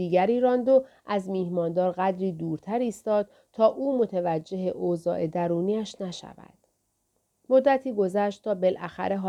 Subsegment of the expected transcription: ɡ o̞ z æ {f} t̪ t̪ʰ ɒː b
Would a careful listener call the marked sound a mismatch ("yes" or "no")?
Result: yes